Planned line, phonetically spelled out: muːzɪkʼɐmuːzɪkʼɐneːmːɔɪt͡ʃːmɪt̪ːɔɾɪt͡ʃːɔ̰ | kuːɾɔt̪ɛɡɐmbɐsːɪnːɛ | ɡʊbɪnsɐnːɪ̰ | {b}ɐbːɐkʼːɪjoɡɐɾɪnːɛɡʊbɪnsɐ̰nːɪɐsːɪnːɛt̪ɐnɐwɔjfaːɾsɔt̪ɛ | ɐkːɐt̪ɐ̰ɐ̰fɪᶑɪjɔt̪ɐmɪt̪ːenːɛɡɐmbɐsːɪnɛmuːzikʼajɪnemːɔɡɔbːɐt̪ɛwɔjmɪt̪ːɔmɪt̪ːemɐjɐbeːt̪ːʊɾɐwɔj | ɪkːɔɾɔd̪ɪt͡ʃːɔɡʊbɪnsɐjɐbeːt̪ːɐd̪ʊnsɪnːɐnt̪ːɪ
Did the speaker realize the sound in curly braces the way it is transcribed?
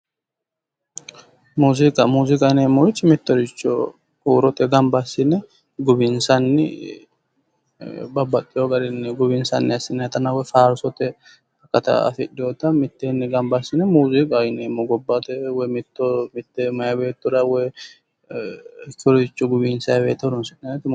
yes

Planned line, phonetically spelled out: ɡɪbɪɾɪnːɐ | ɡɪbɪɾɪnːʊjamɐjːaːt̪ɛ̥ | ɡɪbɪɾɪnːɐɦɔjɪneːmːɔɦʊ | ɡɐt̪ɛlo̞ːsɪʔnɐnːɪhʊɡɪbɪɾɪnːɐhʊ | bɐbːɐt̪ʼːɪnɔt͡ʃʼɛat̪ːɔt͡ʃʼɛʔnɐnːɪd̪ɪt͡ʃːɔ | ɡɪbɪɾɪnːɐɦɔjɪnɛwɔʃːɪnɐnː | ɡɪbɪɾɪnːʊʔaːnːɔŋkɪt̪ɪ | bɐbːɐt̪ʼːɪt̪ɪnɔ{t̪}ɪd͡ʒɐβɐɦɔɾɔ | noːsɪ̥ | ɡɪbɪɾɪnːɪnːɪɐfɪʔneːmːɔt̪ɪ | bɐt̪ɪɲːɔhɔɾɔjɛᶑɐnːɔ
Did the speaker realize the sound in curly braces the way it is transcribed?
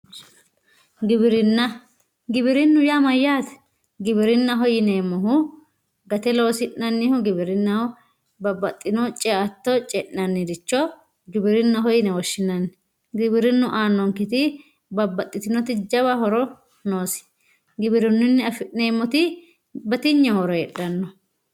yes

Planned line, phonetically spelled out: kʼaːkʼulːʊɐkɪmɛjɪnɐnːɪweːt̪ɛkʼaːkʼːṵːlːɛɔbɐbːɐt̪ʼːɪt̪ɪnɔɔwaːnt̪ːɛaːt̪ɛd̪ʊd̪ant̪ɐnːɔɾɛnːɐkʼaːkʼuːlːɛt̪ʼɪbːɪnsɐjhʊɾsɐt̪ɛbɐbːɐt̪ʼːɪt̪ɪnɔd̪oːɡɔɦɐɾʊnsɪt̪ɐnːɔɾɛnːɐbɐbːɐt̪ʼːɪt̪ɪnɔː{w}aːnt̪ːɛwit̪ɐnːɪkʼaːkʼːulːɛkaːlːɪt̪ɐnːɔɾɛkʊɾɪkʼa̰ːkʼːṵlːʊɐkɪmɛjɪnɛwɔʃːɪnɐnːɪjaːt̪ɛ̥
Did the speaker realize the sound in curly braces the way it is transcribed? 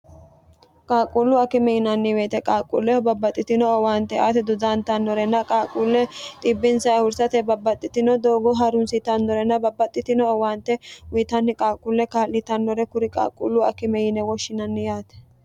yes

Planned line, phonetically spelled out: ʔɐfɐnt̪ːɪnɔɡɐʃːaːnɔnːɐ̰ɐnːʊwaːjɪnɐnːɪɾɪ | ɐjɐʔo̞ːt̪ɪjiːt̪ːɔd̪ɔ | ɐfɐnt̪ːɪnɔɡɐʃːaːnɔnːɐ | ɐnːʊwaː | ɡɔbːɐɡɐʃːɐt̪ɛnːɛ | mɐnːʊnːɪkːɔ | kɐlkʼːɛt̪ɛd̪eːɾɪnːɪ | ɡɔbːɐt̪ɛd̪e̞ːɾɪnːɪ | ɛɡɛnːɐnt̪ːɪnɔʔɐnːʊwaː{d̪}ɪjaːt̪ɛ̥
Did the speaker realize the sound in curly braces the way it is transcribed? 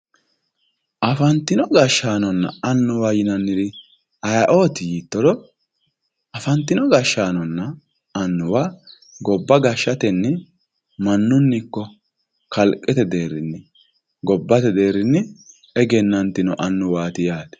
no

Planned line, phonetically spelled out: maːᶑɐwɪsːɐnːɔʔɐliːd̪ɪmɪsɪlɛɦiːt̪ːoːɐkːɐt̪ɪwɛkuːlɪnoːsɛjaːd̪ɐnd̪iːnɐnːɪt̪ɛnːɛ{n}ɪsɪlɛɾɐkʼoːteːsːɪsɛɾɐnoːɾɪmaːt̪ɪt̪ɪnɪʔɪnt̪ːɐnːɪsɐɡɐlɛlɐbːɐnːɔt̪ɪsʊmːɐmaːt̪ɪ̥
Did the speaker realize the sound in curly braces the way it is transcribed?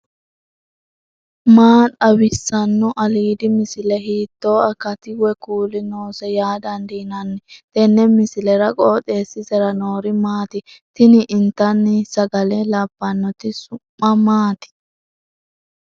no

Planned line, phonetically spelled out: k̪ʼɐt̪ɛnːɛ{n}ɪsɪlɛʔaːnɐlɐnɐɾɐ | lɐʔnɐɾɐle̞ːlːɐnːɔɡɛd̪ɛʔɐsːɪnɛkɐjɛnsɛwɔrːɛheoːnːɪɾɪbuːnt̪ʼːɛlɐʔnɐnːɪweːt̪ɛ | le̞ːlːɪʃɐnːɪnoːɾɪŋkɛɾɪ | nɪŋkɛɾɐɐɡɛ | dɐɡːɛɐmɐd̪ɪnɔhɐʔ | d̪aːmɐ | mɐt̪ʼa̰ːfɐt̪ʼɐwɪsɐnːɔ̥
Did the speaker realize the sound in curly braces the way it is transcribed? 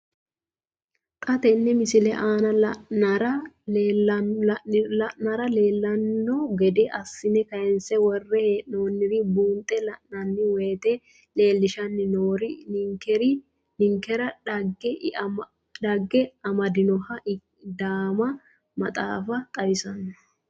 no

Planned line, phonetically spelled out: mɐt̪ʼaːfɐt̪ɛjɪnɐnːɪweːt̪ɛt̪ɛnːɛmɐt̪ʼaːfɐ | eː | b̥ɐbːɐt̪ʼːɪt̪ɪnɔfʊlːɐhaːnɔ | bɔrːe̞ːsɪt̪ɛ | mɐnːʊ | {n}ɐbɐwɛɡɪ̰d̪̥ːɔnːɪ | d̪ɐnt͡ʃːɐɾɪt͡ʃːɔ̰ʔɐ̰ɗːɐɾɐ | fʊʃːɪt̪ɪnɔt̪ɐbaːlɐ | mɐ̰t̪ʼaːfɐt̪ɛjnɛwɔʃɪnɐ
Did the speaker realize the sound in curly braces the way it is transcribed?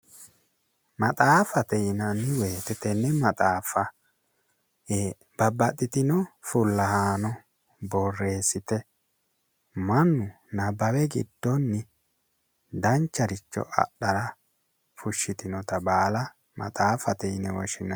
yes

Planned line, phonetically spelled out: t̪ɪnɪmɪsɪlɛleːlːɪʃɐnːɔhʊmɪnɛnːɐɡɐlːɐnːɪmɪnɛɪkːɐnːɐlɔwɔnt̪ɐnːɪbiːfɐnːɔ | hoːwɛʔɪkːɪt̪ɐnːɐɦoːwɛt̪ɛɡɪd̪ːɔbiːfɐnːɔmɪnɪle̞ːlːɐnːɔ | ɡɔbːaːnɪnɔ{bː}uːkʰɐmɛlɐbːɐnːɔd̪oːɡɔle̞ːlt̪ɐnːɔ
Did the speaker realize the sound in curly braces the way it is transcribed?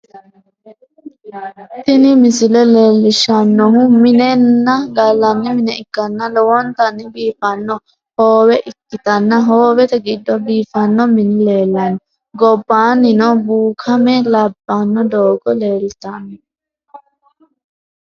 no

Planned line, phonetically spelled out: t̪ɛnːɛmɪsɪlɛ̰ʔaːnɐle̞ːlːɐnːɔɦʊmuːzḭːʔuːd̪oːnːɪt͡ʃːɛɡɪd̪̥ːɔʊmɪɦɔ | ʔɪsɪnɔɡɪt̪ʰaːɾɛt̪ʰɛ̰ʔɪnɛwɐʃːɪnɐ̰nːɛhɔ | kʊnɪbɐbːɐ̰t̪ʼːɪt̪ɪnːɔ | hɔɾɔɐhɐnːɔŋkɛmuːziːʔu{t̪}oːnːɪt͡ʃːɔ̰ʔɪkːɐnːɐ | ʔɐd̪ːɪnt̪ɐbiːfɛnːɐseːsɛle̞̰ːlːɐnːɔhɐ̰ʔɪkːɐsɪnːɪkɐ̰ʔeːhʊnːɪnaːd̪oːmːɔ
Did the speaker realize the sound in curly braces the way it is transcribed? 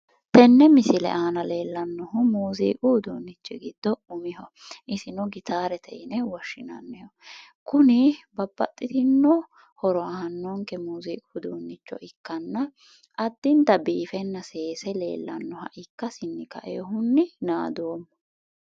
no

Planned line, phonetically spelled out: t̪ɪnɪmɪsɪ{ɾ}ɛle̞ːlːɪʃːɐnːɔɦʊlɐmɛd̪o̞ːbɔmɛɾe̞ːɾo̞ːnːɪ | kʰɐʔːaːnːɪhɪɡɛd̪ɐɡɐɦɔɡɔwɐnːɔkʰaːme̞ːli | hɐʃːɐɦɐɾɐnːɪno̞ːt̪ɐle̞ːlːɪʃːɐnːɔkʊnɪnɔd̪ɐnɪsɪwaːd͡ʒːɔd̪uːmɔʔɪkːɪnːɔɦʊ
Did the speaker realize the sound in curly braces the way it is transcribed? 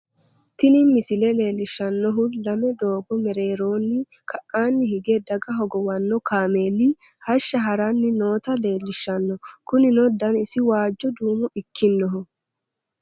no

